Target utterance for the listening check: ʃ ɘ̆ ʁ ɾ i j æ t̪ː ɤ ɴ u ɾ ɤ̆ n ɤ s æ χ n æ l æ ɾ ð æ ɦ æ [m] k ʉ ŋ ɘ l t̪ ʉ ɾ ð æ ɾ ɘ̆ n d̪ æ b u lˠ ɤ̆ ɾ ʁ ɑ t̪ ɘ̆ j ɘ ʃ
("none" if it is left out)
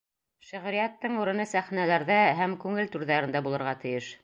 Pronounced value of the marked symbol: m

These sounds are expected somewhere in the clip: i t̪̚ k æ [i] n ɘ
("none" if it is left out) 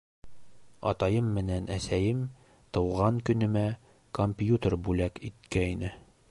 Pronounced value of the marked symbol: i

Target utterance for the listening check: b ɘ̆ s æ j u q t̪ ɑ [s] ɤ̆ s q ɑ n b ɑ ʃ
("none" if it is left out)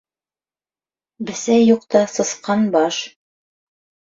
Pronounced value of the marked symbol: s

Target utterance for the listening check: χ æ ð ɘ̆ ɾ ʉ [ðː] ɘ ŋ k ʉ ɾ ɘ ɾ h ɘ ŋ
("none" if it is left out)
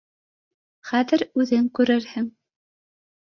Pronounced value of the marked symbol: ð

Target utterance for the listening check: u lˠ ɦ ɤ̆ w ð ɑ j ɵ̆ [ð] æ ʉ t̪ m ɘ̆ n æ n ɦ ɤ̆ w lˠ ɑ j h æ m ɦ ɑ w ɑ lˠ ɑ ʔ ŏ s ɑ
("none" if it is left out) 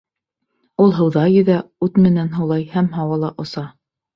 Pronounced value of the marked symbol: ð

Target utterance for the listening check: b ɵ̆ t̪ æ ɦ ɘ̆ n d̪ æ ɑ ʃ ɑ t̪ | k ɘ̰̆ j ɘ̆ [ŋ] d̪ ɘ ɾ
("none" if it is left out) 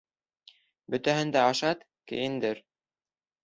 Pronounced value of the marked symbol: n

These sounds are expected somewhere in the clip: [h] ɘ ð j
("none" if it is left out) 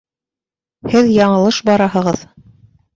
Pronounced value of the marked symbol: h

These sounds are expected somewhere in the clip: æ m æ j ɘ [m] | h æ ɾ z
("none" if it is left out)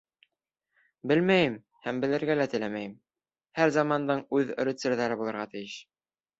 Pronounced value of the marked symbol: m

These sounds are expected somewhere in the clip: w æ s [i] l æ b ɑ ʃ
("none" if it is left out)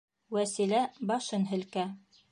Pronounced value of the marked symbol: i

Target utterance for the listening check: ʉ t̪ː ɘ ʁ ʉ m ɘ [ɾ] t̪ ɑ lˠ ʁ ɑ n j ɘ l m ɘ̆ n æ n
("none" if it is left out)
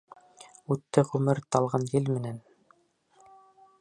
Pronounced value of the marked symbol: ɾ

